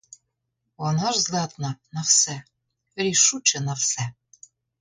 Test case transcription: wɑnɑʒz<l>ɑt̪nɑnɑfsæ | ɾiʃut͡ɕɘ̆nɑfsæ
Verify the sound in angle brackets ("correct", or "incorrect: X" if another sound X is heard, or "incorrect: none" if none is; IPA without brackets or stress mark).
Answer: correct